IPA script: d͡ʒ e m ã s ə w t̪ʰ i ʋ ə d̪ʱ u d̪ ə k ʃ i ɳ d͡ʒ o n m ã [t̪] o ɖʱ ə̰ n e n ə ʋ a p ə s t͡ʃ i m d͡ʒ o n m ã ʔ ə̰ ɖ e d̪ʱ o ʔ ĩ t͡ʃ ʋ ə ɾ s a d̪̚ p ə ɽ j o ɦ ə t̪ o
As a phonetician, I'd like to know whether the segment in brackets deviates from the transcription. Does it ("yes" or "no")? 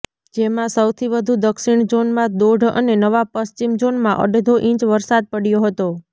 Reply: yes